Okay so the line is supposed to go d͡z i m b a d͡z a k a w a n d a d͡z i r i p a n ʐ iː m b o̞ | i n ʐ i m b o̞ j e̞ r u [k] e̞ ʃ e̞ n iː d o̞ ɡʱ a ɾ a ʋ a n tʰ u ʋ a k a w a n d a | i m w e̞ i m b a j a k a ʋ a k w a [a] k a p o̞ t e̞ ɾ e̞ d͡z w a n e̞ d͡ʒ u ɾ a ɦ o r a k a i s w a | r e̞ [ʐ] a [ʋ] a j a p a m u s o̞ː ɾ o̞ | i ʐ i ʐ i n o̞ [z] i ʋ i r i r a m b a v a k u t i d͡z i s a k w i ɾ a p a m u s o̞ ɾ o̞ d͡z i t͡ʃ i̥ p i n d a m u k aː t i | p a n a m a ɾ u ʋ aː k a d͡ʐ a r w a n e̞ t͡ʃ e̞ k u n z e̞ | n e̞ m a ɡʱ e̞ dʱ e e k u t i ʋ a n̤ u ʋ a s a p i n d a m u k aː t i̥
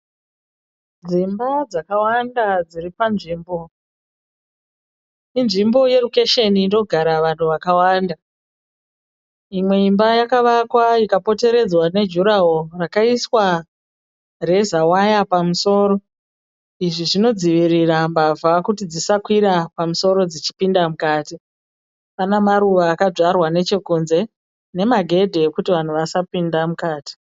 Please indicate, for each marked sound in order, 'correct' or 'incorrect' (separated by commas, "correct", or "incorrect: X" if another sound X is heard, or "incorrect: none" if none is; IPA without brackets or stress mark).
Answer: correct, incorrect: i, incorrect: z, incorrect: w, incorrect: d͡z